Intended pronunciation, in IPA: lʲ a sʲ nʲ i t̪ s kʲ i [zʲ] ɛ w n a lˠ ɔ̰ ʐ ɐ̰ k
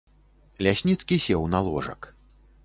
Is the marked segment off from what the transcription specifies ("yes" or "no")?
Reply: yes